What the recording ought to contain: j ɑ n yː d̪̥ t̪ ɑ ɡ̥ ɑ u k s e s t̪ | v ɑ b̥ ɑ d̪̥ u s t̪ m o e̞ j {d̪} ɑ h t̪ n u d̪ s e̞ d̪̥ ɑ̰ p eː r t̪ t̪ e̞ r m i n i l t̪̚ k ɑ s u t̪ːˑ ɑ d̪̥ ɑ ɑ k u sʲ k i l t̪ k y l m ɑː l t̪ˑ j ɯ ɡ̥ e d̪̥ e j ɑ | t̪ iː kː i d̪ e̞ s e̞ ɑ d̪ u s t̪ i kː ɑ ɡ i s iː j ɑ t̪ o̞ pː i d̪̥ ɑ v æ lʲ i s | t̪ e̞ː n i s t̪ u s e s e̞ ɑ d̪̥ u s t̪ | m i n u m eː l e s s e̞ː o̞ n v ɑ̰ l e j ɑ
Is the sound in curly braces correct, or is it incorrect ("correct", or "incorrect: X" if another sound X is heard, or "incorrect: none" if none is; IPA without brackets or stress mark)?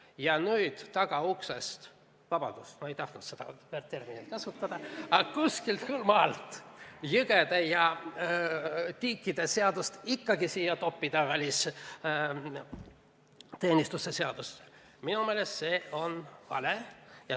incorrect: t̪